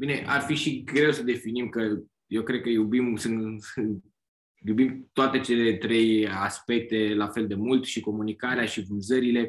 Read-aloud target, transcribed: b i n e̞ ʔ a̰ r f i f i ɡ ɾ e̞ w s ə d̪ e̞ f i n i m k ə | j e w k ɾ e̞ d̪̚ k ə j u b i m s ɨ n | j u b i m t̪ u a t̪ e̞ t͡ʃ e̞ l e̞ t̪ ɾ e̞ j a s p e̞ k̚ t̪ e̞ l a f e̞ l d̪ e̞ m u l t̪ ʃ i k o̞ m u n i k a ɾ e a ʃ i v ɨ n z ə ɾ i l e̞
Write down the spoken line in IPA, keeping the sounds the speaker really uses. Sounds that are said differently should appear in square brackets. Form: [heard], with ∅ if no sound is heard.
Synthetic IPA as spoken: b i n e̞ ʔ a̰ r f i [ʃ] i ɡ ɾ e̞ w s ə d̪ e̞ f i n i m k ə | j e w k ɾ e̞ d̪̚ k ə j u b i m s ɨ n | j u b i m t̪ [o] a t̪ e̞ t͡ʃ e̞ l e̞ t̪ ɾ e̞ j a s p e̞ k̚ t̪ e̞ l a f e̞ l d̪ e̞ m u l t̪ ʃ i k o̞ m u n i k a ɾ e a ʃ i v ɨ n z ə ɾ i l e̞